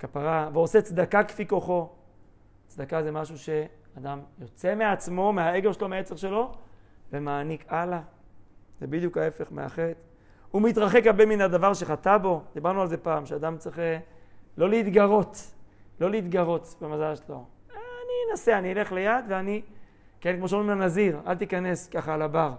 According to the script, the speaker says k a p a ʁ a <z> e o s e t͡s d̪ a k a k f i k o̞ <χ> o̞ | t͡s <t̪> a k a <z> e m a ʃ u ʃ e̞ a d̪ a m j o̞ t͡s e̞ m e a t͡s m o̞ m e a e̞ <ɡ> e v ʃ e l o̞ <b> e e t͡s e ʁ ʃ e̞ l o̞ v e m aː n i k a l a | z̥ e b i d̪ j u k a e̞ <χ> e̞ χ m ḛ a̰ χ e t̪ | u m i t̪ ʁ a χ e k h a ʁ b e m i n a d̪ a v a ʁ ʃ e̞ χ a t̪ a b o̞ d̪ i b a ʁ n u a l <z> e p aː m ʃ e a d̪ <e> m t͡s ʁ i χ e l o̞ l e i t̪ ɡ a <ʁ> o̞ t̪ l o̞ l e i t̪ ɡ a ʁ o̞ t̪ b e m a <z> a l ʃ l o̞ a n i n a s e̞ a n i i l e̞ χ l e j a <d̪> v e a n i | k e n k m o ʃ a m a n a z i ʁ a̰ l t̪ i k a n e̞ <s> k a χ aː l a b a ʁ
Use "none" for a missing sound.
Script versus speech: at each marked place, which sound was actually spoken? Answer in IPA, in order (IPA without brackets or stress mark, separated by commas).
v, χ, d̪, z, ɡ, m, f, z, a, ʁ, z, d̪, s